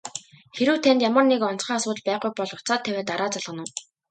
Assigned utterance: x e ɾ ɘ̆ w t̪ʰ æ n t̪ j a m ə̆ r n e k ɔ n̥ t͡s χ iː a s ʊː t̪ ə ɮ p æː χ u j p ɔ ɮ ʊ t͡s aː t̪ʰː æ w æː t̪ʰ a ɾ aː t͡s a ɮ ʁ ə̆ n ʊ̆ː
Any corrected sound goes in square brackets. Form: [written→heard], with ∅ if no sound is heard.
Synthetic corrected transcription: x e ɾ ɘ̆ w t̪ʰ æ n t̪ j a m ə̆ r n e k ɔ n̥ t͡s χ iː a s ʊː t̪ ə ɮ p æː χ u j p ɔ ɮ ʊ t͡s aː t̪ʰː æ w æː [t̪ʰ→t̪] a ɾ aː t͡s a ɮ ʁ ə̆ n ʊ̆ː

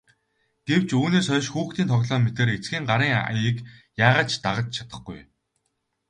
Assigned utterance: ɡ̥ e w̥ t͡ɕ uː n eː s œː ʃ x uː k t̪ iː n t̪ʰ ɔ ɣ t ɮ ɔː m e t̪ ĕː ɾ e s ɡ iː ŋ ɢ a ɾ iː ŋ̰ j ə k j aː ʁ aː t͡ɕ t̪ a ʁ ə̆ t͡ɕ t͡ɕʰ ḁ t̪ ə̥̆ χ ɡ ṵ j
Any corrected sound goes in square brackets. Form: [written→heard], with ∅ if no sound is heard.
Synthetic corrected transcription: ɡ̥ e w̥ t͡ɕ uː n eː s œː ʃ x uː [k→x] t̪ iː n t̪ʰ ɔ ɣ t ɮ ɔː m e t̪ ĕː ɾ e [s→t͡s] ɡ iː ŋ ɢ a ɾ iː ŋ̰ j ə k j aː ʁ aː t͡ɕ t̪ a ʁ ə̆ t͡ɕ t͡ɕʰ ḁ t̪ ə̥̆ χ ɡ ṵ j

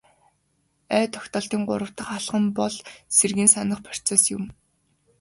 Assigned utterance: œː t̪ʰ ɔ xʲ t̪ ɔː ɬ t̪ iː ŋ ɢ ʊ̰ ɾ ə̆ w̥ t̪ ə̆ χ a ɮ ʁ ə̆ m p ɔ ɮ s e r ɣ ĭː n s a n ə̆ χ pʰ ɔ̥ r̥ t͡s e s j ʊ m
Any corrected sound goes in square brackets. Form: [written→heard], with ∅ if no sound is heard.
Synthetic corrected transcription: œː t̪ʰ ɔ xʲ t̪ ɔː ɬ t̪ iː ŋ ɢ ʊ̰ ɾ ə̆ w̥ t̪ ə̆ χ a ɮ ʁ ə̆ m p ɔ ɮ s e r ɣ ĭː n s a n ə̆ χ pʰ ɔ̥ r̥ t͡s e s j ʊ m

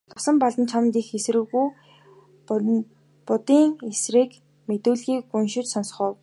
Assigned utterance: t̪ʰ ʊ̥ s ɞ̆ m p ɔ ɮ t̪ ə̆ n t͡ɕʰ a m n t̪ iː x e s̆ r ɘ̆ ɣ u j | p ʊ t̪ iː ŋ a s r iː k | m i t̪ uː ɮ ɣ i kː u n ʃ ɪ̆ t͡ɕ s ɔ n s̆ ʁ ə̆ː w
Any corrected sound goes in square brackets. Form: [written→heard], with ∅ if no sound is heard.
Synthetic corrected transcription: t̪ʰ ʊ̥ s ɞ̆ m p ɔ ɮ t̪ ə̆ n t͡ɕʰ a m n t̪ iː x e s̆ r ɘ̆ ɣ u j | p ʊ t̪ iː ŋ [a→e] s r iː k | m [i→e] t̪ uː ɮ ɣ [i→iː] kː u n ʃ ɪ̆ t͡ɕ s ɔ n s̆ [ʁ→χ] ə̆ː w

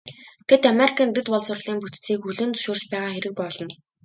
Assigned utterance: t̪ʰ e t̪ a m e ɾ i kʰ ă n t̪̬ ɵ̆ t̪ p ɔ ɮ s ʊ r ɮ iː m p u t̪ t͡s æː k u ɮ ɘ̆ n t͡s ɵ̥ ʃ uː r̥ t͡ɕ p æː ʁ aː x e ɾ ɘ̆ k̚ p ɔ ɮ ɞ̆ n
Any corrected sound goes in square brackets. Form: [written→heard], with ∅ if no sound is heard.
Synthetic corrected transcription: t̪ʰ e t̪ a m e ɾ i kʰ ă n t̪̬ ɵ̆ t̪ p ɔ ɮ s ʊ r ɮ iː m p u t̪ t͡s [æː→iː] k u ɮ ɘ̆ n t͡s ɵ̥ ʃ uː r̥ t͡ɕ p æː ʁ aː x e ɾ ɘ̆ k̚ p ɔ ɮ ɞ̆ n

